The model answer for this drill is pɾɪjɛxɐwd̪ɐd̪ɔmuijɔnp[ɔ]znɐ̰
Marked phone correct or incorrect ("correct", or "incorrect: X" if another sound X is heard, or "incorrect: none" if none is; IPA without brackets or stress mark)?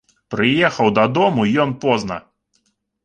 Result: correct